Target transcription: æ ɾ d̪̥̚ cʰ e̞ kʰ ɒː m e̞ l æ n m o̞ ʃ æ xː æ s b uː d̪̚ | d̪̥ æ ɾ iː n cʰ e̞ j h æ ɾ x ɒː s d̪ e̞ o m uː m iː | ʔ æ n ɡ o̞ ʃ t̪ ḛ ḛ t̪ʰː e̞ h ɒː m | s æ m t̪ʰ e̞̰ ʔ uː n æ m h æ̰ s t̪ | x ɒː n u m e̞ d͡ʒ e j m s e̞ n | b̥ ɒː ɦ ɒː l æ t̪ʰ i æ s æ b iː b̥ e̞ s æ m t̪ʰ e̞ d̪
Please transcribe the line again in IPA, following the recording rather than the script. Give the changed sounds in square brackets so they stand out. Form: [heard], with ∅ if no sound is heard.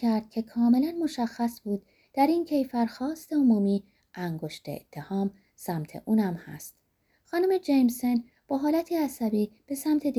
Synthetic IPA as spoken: æ ɾ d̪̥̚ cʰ e̞ kʰ ɒː m e̞ l æ n m o̞ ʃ æ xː æ s b uː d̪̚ | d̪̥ æ ɾ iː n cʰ e̞ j [f] æ ɾ x ɒː s [t̪] e̞ o m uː m iː | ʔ æ [ŋ] ɡ o̞ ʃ t̪ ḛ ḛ t̪ʰː e̞ h ɒː m | s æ m t̪ʰ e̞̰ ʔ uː n æ m h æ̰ s t̪ | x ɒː n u m e̞ d͡ʒ e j m s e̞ n | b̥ ɒː ɦ ɒː l æ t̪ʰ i æ s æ b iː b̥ e̞ s æ m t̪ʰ e̞ d̪